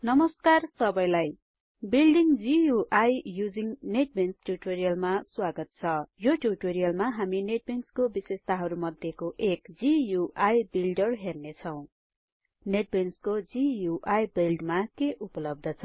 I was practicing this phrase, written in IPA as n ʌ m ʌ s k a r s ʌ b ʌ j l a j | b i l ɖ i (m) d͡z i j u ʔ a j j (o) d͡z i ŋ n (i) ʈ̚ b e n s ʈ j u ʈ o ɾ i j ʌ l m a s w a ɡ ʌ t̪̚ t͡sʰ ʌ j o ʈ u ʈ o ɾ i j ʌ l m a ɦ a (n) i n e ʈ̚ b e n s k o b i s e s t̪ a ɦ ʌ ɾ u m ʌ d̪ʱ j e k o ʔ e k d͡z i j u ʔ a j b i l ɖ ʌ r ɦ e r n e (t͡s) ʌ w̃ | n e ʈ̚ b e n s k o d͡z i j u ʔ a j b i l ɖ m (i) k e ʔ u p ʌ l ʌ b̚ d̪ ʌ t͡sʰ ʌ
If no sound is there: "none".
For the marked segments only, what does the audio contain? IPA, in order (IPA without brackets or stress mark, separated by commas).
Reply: ŋ, u, e, m, t͡sʰ, a